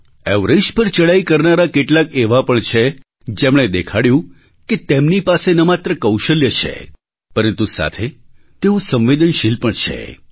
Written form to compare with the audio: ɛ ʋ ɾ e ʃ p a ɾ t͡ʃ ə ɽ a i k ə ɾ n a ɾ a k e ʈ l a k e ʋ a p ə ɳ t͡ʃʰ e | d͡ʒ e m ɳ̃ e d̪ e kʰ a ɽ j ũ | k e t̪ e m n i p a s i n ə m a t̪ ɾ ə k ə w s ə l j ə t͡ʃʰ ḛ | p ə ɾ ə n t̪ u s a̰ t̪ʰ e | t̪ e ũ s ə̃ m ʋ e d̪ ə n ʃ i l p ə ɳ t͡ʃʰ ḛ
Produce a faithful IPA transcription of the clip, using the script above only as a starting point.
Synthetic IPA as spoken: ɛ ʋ ɾ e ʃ p ə ɾ t͡ʃ ə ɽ a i k ə ɾ n a ɾ a k e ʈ l a k e ʋ a p ə ɳ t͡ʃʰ e | d͡ʒ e m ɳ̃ e d̪ e kʰ a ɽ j ũ | k e t̪ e m n i p a s e n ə m a t̪ ɾ ə k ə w ʃ ə l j ə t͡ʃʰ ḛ | p ə ɾ ə n t̪ u s a̰ t̪ʰ e | t̪ e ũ s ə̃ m ʋ e d̪ ə n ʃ i l p ə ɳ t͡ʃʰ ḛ